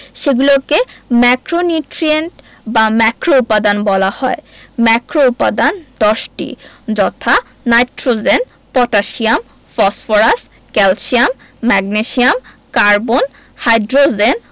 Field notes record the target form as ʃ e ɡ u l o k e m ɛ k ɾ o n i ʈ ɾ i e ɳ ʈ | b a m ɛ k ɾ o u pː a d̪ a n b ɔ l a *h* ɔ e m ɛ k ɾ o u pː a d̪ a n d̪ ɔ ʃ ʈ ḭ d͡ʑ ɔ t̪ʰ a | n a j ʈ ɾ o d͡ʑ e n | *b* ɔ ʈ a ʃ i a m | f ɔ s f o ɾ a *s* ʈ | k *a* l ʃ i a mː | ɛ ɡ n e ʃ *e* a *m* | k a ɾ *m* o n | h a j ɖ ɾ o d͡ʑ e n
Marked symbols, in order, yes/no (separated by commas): yes, no, yes, no, no, yes, no